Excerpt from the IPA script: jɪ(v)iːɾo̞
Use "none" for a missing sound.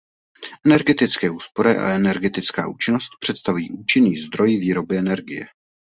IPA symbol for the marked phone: v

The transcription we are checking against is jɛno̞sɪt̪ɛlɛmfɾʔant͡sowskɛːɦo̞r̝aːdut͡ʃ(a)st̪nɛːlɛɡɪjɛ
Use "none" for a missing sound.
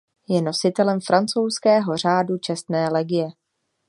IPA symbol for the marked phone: ɛ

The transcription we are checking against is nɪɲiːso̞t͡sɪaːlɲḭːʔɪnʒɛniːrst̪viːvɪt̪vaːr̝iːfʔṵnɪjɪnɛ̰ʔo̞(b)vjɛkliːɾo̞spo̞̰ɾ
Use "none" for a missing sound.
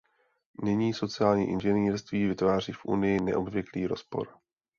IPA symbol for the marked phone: b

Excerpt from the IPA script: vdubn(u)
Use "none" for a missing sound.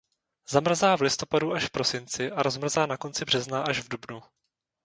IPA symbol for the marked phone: u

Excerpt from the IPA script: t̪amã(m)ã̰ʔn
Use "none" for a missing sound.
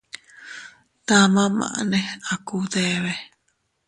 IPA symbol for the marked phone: m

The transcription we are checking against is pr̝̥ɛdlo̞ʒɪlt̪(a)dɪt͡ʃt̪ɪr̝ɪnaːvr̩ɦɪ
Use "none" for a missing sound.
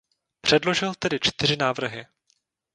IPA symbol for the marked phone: ɛ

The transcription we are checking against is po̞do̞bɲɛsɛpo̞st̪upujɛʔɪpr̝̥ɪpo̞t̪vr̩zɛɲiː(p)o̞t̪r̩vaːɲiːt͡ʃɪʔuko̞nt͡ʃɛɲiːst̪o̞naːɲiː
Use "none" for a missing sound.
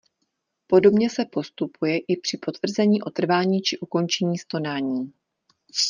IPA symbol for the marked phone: ʔ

